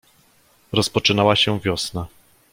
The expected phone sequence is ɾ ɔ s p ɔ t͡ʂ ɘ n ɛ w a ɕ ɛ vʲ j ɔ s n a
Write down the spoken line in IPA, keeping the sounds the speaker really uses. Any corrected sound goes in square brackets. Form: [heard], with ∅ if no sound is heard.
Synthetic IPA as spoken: ɾ ɔ s p ɔ t͡ʂ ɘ n [a] w a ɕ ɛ vʲ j ɔ s n a

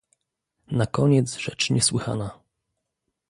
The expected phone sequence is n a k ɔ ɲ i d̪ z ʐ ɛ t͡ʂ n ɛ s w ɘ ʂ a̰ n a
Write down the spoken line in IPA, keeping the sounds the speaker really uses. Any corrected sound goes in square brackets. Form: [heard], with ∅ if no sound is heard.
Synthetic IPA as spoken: n a k ɔ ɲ [ɛ] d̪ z ʐ ɛ t͡ʂ [ɲ] ɛ s w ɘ [x] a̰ n a

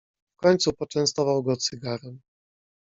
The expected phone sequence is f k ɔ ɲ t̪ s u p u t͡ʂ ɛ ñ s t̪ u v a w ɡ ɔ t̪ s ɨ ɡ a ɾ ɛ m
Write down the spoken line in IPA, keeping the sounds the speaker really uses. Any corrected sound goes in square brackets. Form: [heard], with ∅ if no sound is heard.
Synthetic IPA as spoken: f k ɔ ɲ t̪ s u p [ɔ] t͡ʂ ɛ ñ s t̪ [ɔ] v a w ɡ ɔ t̪ s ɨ ɡ a ɾ ɛ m

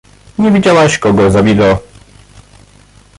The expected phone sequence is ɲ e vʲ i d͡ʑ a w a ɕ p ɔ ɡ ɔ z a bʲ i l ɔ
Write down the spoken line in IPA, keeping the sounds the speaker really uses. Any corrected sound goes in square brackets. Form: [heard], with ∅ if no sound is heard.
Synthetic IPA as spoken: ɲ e vʲ i d͡ʑ a w a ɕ [k] ɔ ɡ ɔ z a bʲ i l ɔ

